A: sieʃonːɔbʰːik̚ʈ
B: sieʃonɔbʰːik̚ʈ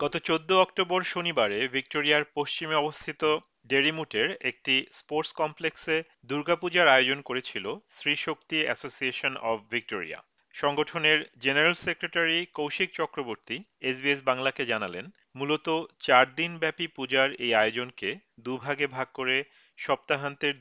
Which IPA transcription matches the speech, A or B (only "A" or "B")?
B